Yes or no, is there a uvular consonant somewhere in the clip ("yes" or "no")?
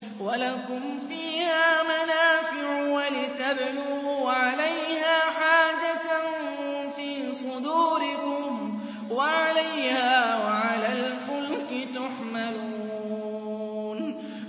no